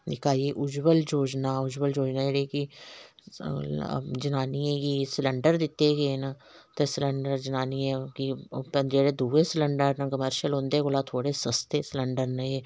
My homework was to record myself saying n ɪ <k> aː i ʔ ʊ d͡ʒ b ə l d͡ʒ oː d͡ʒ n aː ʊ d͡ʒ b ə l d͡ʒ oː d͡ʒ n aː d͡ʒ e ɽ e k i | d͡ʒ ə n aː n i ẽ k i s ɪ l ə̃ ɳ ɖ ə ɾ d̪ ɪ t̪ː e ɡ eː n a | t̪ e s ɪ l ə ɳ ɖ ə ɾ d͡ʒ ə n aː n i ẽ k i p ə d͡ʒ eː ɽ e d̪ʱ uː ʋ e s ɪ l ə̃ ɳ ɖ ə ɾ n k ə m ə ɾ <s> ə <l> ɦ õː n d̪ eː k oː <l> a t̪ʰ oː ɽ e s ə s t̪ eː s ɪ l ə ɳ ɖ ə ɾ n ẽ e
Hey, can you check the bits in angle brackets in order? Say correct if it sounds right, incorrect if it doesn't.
correct, incorrect, correct, correct

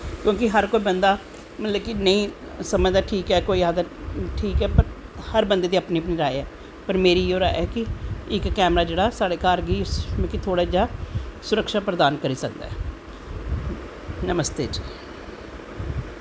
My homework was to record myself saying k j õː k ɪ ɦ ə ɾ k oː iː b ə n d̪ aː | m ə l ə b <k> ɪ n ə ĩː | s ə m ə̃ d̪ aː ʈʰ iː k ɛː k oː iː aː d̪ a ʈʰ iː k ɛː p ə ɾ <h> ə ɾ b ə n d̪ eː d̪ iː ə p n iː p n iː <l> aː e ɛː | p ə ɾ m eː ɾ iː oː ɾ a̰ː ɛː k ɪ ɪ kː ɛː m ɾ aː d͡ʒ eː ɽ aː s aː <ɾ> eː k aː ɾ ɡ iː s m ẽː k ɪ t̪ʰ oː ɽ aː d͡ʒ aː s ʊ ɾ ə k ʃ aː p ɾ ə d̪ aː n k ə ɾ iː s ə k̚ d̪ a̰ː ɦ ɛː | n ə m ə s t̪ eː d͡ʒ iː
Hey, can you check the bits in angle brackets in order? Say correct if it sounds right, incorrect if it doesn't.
correct, correct, incorrect, incorrect

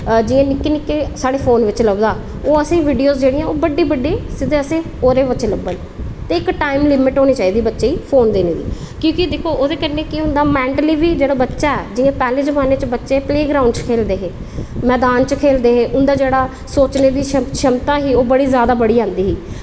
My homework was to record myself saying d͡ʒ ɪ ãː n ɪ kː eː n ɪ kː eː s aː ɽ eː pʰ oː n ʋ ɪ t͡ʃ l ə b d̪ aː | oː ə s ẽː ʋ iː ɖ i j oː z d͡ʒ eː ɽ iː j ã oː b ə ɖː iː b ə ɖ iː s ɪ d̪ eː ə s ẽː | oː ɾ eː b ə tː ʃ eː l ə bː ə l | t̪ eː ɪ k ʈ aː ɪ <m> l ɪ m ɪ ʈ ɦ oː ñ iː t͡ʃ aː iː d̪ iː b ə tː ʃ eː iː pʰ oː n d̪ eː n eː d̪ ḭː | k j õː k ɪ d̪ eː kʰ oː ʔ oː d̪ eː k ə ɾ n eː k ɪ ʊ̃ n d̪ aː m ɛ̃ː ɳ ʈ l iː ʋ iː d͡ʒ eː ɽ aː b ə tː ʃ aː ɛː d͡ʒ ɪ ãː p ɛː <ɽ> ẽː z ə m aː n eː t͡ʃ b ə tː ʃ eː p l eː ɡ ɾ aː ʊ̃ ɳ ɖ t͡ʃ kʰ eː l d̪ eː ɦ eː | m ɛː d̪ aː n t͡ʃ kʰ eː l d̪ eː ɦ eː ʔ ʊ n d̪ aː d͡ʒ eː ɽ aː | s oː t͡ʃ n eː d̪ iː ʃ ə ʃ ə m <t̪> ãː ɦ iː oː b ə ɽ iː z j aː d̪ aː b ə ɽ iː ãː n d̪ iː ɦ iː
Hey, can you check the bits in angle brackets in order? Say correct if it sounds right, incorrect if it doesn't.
correct, incorrect, correct

